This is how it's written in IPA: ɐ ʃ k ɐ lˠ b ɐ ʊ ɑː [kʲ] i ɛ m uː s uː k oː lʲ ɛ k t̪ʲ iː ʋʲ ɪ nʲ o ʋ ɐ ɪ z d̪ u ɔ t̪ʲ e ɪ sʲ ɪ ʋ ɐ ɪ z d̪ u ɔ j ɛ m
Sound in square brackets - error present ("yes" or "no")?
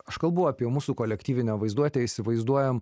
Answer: yes